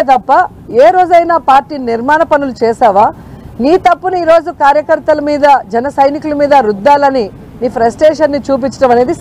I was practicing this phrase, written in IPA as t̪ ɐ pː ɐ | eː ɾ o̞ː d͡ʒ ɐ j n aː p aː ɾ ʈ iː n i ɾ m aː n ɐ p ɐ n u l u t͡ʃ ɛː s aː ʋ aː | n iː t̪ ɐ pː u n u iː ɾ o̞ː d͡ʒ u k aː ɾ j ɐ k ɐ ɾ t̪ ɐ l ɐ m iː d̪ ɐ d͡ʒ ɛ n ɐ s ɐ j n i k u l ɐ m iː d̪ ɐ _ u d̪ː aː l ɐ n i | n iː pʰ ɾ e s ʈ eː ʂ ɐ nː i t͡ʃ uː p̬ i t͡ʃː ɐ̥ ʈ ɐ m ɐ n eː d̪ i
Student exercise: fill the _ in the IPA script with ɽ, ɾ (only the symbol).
ɾ